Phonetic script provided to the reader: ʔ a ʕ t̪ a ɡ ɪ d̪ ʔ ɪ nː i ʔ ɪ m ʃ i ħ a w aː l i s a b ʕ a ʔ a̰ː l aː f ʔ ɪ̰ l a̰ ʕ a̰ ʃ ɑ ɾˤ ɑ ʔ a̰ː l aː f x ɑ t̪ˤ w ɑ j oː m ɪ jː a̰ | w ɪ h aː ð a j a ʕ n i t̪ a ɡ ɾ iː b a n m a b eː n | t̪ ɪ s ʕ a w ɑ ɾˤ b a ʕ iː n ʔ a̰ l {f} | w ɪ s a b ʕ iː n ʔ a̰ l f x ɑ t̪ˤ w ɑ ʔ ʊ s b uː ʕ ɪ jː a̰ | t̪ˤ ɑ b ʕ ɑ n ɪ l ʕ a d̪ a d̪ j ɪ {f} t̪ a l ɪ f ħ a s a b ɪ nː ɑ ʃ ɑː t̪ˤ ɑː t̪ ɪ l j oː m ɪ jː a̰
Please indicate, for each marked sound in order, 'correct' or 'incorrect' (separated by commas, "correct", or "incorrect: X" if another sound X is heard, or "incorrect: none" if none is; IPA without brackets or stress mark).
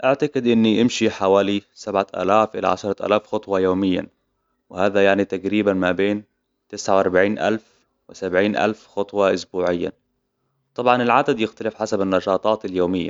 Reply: correct, incorrect: x